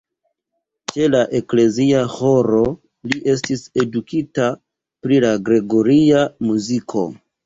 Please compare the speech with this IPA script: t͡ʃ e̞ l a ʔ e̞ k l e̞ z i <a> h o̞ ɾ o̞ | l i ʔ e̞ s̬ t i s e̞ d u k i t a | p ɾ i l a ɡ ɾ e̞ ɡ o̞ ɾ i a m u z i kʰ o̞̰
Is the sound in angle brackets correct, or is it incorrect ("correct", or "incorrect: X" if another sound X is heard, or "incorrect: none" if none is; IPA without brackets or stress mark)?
correct